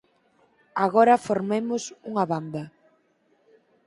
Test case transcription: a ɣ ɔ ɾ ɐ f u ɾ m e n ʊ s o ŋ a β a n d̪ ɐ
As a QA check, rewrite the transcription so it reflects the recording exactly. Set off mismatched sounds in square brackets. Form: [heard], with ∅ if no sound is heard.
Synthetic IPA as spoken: a ɣ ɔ ɾ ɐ f [o] ɾ m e [m] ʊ s [u] ŋ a β a n d̪ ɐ